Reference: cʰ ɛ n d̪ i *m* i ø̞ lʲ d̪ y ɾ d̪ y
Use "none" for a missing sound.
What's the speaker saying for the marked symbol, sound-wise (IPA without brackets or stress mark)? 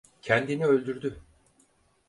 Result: n